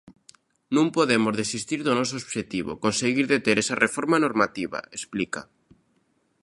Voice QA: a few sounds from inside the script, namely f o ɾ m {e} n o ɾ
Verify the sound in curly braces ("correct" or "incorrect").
incorrect